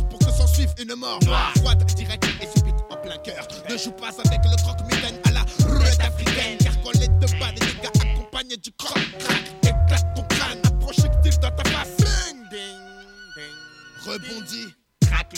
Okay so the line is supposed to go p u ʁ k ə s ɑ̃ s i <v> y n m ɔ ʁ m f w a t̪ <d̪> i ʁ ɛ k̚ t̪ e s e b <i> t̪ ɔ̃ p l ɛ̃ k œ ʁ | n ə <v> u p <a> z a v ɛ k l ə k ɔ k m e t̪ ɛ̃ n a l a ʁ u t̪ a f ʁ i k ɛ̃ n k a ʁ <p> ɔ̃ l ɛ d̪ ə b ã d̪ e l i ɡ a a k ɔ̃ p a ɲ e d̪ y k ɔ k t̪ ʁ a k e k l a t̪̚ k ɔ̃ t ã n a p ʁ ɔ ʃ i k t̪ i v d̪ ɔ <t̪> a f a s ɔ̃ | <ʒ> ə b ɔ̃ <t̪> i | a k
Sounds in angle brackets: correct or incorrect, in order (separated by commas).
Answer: correct, correct, correct, incorrect, correct, incorrect, correct, incorrect, incorrect